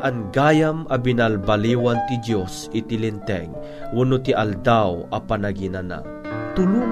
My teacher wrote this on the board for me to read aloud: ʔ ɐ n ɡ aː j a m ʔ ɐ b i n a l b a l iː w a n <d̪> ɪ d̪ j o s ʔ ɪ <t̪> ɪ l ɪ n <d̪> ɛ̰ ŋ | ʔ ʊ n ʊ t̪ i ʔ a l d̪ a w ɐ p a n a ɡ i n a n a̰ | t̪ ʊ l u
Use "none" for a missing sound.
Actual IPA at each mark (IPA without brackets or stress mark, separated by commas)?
t̪, t̪, t̪